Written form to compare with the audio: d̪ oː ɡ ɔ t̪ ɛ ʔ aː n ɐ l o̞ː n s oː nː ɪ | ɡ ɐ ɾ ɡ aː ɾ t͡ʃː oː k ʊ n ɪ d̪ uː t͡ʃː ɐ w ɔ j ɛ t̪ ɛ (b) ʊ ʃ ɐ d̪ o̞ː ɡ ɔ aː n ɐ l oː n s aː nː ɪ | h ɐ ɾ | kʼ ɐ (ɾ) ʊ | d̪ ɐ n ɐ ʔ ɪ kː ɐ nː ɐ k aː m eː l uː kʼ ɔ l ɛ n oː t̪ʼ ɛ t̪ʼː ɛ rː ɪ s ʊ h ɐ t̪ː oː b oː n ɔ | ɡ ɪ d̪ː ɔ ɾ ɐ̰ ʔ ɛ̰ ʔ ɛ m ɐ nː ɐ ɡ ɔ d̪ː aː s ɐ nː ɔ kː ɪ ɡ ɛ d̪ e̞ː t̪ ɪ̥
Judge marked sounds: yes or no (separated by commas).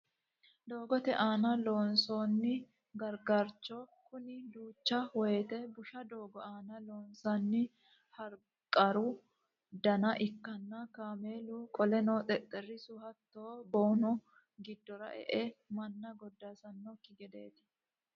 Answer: yes, yes